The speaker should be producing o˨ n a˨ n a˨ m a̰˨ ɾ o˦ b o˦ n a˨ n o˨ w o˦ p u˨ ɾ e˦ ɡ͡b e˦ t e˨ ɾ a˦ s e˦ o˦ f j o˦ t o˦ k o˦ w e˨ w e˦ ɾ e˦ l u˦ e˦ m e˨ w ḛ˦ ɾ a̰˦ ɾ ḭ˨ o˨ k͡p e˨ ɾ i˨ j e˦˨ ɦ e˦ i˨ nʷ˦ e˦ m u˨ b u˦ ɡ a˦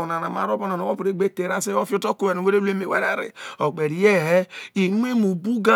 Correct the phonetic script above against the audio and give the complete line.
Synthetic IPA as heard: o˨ n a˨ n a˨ m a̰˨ ɾ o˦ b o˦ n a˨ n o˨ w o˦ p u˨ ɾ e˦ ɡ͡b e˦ t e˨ ɾ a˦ s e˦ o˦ f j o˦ t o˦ k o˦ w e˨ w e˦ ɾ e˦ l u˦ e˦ m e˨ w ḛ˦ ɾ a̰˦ ɾ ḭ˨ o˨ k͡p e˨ ɾ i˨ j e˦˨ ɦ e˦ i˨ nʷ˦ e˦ m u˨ b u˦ ɡ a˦